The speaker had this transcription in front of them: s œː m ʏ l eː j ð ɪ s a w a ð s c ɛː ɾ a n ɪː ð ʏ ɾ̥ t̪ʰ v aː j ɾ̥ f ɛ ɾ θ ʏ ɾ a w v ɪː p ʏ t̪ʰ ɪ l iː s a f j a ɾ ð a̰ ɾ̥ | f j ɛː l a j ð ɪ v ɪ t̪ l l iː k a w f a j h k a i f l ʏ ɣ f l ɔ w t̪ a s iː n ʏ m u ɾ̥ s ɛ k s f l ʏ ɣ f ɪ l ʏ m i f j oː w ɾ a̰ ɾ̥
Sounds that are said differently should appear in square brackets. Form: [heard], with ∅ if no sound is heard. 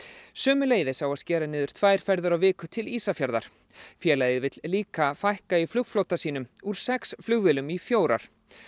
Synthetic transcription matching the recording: s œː m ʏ l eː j ð ɪ s a w a ð s c ɛː ɾ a n ɪː ð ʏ ɾ̥ t̪ʰ v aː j ɾ̥ f ɛ ɾ [ð] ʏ ɾ a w v ɪː [k] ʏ t̪ʰ ɪ l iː s a f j a ɾ ð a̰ ɾ̥ | f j ɛː l a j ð ɪ v ɪ t̪ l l iː k a [∅] f a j h k a i f l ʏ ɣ f l [o] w t̪ a s iː n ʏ m u ɾ̥ s ɛ k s f l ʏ ɣ [v] ɪ l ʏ m i f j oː w ɾ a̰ ɾ̥